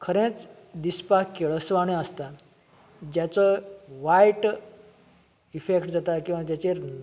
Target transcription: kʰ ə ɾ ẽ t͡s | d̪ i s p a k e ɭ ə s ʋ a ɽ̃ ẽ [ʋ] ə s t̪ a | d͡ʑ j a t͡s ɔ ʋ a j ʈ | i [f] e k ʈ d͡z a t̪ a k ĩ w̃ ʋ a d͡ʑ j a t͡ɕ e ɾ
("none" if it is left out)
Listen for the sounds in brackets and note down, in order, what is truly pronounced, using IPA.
none, f

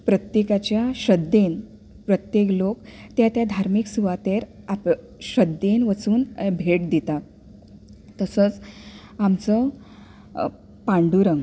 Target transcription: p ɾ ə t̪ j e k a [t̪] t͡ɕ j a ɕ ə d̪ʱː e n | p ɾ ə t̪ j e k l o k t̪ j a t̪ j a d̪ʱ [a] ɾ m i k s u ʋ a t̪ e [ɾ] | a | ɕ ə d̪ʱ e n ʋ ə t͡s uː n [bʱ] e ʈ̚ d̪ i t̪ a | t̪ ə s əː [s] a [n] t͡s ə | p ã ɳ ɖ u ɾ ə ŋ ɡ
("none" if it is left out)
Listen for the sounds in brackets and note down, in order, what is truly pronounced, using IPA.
none, a, ɾ, bʱ, t͡s, m

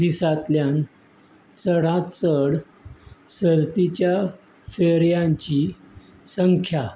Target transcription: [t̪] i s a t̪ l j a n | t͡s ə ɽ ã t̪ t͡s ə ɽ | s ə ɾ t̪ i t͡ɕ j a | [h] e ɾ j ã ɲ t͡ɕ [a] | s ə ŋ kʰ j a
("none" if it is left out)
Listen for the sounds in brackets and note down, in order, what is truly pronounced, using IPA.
d̪, f, i

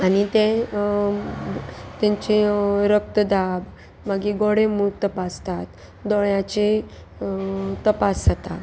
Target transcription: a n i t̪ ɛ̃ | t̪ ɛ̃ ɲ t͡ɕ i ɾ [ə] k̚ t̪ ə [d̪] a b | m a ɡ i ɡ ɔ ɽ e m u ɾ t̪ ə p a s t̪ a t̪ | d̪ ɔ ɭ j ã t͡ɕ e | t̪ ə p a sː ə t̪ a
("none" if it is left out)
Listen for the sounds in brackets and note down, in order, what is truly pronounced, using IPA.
ə, d̪

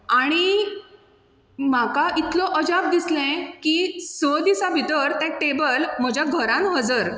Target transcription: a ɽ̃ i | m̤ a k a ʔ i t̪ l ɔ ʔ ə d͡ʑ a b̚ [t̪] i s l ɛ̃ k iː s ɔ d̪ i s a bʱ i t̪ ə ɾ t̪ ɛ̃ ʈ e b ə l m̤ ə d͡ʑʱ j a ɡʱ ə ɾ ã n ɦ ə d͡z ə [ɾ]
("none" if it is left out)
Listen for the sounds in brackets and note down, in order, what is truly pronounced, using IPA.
d̪, ɾ

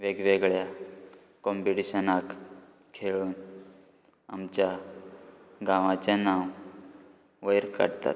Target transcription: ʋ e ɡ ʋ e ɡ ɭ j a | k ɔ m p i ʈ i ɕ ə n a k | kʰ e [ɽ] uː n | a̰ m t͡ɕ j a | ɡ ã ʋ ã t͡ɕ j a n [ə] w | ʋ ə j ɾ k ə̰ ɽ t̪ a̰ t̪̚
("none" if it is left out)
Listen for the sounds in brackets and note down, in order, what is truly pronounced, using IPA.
ɭ, a

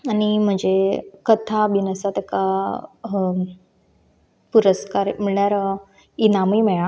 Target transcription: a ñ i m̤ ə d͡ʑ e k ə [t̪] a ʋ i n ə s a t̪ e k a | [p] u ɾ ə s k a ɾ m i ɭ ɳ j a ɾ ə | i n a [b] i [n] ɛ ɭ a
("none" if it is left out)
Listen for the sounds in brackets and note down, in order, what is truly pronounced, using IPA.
t̪ʰ, p, m, m

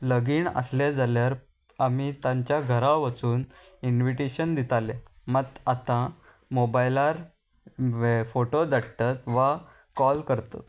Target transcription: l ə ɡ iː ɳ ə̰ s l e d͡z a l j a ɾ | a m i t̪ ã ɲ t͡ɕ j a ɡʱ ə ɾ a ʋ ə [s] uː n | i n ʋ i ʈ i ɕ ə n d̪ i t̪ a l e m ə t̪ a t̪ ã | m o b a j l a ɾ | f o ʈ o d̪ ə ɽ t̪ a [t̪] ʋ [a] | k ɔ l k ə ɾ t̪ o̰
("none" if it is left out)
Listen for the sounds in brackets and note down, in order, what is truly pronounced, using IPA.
t͡s, t̪, a

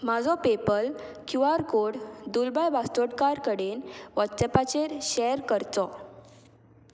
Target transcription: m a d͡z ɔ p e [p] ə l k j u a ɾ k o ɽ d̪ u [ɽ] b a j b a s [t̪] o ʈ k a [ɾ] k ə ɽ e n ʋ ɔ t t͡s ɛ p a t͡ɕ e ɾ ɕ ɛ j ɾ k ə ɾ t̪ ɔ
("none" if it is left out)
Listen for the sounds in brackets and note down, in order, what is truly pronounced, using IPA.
p, l, t̪, ɾ

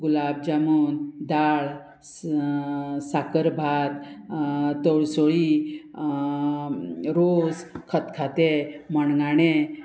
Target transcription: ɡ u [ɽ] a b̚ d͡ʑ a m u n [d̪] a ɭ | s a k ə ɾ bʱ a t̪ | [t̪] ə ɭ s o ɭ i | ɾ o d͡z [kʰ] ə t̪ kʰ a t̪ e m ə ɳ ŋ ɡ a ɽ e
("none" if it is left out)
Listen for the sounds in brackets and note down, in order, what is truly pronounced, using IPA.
l, d̪, t̪, kʰ

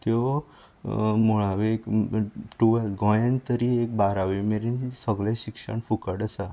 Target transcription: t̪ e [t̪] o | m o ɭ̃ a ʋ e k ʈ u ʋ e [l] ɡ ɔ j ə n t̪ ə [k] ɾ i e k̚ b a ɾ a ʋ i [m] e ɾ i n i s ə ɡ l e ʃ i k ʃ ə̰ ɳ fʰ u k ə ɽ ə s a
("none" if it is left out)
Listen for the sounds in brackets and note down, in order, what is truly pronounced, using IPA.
none, l, none, m

